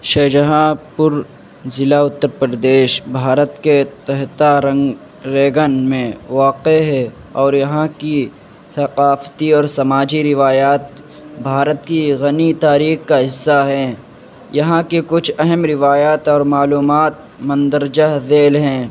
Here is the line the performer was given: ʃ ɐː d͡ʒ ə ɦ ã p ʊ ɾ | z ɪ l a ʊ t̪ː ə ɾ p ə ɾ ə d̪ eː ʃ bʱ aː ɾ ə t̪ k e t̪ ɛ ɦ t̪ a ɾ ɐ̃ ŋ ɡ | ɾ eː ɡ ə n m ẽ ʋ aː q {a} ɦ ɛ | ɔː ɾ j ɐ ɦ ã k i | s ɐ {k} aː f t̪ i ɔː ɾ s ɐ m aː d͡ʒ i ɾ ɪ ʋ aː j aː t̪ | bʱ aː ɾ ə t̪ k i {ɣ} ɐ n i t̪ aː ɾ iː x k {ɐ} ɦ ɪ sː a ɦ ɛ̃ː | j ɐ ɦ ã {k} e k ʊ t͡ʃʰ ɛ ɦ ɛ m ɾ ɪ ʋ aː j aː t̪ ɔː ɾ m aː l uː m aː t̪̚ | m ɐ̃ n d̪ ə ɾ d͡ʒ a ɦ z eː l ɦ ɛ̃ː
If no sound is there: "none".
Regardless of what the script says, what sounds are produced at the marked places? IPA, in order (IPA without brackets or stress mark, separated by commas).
e, q, ɣ, a, k